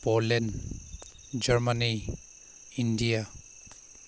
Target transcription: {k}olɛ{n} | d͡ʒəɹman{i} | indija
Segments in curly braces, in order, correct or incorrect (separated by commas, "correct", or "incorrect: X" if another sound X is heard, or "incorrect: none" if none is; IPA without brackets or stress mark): incorrect: p, correct, correct